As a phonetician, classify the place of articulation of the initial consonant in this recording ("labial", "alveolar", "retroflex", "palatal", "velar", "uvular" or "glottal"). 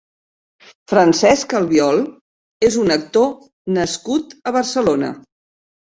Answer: labial